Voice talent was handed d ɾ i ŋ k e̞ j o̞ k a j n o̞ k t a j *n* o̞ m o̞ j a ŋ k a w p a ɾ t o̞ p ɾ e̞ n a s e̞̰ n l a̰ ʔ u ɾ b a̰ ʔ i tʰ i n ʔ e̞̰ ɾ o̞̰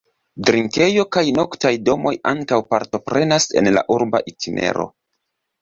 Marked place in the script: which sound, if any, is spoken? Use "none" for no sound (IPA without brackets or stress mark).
d